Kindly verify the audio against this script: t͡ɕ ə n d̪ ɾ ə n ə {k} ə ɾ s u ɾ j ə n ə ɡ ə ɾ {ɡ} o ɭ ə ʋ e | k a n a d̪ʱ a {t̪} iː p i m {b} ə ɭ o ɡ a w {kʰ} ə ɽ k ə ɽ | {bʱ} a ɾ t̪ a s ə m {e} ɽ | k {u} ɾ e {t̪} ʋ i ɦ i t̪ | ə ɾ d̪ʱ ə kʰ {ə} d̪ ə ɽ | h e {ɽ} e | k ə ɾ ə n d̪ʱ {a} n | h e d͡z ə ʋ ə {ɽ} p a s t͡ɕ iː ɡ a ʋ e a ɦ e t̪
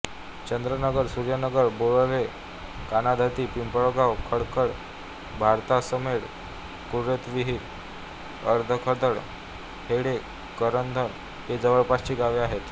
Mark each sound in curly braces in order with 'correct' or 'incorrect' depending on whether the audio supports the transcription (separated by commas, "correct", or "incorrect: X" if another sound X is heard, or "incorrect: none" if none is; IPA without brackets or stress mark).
incorrect: ɡ, incorrect: b, correct, incorrect: p, correct, correct, correct, correct, correct, correct, correct, incorrect: ə, incorrect: ɭ